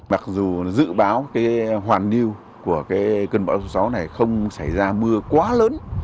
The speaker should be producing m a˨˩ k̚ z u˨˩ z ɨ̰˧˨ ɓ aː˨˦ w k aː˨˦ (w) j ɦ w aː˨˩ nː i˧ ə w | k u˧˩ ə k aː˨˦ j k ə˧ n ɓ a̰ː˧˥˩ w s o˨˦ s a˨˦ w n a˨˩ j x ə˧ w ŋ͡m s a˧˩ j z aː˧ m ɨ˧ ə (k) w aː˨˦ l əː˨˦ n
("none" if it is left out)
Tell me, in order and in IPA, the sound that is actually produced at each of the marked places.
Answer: none, k

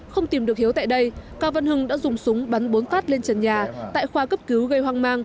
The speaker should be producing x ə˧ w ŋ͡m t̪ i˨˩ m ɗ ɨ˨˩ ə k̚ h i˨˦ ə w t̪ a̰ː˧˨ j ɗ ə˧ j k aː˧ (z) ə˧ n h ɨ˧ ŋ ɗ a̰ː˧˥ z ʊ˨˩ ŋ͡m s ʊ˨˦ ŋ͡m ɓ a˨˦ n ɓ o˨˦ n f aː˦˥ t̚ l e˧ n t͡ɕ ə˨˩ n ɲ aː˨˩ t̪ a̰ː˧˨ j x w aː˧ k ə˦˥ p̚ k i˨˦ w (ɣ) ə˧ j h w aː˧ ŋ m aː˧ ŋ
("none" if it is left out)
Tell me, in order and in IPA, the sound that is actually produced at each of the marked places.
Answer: v, ɣ

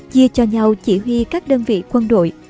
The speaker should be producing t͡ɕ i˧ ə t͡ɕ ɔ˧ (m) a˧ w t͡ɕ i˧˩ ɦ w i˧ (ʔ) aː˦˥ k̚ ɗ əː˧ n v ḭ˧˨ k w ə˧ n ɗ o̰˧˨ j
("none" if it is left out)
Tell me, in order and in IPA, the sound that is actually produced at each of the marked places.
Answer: ɲ, k

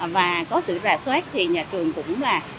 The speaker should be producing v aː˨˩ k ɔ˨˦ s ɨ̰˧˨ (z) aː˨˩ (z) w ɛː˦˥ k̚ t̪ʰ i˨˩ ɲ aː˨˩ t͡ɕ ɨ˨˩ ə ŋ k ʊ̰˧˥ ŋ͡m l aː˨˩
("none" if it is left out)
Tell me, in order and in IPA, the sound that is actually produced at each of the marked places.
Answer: z, s

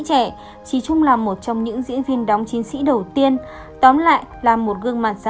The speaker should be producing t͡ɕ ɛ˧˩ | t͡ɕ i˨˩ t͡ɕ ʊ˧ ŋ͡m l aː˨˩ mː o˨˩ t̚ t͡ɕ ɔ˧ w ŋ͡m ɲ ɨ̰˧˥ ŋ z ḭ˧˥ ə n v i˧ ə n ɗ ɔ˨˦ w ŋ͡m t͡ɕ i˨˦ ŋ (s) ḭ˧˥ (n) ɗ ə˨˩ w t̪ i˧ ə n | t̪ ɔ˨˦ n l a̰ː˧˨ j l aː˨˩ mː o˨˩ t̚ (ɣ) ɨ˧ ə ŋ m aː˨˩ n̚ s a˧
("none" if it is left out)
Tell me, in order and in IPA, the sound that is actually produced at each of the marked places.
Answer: s, none, ɣ

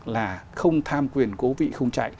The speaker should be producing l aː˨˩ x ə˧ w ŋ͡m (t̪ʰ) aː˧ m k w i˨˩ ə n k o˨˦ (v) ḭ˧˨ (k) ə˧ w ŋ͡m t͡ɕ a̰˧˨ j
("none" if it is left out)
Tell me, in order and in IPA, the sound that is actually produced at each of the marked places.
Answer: t̪ʰ, v, x

